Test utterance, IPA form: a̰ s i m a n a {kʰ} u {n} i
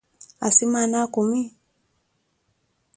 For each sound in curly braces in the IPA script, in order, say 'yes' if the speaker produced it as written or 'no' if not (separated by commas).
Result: no, no